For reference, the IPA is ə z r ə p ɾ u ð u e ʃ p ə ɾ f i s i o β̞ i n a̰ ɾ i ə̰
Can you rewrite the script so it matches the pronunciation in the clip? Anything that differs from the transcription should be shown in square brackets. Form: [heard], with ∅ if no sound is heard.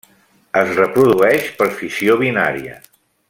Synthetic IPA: ə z r ə p ɾ u ð u [ɛ] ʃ p ə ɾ f i s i o β̞ i n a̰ ɾ i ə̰